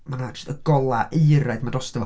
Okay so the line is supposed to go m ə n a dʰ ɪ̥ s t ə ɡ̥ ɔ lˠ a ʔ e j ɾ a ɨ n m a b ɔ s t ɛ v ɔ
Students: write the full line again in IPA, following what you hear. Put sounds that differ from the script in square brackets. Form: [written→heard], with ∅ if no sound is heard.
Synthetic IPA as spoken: m [ə→a] n a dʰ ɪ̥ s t ə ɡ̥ ɔ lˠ a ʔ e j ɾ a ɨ [n→d] m a [b→d] ɔ s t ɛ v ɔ

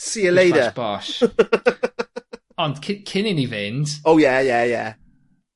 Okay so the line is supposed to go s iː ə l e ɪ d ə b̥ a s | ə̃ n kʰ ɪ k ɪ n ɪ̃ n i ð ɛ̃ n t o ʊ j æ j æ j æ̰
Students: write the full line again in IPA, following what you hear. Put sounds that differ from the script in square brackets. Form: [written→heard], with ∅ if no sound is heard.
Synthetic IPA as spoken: s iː ə l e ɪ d ə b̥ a [s→ʃ] | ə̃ n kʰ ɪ [k→kʰ] ɪ n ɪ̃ n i [ð→v] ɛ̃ n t o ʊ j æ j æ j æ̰

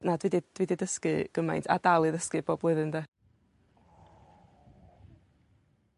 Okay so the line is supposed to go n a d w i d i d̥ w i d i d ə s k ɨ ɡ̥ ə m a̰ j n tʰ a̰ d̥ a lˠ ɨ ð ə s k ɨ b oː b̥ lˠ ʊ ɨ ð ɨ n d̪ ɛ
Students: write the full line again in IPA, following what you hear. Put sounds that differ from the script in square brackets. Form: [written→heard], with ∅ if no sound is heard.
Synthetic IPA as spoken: n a d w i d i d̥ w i d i d ə s k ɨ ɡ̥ ə m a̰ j n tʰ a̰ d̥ a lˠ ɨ ð ə s k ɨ b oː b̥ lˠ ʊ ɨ ð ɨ n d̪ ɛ

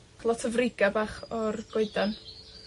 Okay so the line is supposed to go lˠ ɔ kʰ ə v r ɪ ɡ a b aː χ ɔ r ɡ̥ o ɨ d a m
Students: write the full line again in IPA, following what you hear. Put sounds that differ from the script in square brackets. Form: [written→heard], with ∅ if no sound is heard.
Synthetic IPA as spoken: lˠ ɔ [kʰ→tʰ] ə v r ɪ ɡ a b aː χ ɔ r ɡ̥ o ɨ d a [m→n]

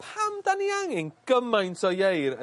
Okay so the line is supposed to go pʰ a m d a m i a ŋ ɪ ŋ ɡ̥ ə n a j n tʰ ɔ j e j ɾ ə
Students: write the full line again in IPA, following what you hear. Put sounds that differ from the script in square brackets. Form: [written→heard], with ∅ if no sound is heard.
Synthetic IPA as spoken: pʰ a m d a [m→n] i a ŋ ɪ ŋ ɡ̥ ə [n→m] a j n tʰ ɔ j e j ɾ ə

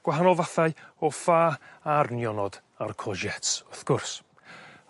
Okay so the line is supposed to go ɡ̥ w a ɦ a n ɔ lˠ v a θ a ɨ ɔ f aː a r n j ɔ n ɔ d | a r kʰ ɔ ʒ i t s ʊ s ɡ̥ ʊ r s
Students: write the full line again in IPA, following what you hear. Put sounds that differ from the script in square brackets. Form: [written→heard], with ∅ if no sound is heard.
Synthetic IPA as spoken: ɡ̥ w a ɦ a n ɔ lˠ v a θ a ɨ ɔ f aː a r n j ɔ n ɔ d | a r kʰ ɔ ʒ [i→ɛ] t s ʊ [s→θ] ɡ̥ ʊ r s

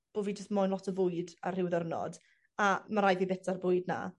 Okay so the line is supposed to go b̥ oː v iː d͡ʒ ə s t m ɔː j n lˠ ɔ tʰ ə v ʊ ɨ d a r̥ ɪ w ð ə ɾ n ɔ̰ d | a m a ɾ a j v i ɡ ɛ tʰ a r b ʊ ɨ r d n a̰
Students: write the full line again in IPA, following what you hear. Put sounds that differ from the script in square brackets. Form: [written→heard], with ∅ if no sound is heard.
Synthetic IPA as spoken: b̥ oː v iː d͡ʒ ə s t m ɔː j n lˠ ɔ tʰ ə v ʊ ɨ d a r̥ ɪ w ð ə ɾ n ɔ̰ d | a m a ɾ a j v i [ɡ→b] ɛ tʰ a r b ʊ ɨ [r→∅] d n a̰

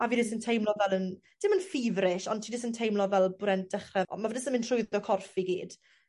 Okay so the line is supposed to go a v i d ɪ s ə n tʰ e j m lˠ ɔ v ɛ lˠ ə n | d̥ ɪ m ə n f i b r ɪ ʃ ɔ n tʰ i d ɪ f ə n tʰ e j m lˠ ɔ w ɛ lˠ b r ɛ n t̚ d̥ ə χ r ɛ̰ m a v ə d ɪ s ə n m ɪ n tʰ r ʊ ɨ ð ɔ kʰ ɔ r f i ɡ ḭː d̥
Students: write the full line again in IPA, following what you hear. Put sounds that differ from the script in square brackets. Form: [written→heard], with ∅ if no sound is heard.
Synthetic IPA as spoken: a v i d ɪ s ə n tʰ e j m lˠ ɔ v ɛ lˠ ə n | d̥ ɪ m ə n f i [b→v] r ɪ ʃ ɔ n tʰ i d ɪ [f→s] ə n tʰ e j m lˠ ɔ [w→v] ɛ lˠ b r ɛ n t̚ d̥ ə χ r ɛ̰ m a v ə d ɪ s ə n m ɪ n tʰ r ʊ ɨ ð ɔ kʰ ɔ r f i ɡ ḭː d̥

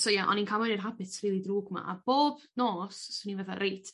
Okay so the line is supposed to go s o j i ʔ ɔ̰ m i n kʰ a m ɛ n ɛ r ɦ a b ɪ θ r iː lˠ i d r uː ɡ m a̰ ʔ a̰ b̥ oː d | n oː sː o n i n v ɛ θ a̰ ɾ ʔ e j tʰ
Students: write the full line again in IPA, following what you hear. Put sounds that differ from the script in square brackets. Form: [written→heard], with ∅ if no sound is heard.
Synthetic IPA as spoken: s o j [i→a] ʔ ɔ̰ [m→n] i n kʰ a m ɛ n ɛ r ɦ a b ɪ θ r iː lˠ i d r uː ɡ m a̰ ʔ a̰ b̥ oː [d→b] | n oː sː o n i n v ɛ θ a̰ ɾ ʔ e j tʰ

